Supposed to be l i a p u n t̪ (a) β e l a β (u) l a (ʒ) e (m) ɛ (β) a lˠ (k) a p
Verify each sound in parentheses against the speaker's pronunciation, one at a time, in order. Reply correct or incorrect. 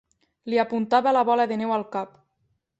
correct, incorrect, incorrect, incorrect, incorrect, correct

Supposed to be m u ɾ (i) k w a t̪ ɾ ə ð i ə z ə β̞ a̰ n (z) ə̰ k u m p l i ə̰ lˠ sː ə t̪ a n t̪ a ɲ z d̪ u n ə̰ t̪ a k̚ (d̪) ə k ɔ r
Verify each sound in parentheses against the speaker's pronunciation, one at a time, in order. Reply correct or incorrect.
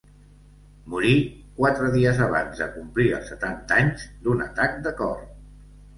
correct, correct, correct

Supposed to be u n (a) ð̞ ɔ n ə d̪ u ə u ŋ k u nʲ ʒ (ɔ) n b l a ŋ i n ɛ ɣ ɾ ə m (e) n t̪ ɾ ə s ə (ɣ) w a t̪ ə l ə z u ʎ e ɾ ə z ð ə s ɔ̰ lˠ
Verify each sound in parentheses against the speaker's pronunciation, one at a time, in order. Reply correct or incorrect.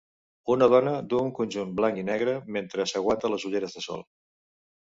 incorrect, incorrect, correct, correct

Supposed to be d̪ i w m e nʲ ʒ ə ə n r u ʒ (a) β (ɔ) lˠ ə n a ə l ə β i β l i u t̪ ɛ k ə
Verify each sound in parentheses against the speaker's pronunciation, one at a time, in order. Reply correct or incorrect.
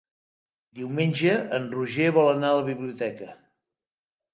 incorrect, correct

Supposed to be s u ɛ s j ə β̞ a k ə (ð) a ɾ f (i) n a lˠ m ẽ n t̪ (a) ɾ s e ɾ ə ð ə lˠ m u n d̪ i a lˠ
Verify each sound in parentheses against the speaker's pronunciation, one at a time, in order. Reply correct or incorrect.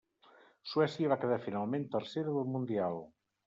correct, correct, incorrect

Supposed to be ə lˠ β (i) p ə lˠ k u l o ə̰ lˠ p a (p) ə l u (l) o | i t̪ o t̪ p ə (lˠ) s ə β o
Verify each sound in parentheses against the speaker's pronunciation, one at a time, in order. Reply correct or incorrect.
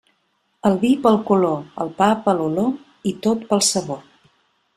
correct, correct, correct, correct

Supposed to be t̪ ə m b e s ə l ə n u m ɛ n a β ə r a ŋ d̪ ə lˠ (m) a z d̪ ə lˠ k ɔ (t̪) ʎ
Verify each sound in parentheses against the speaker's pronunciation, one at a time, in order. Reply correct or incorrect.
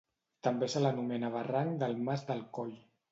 correct, incorrect

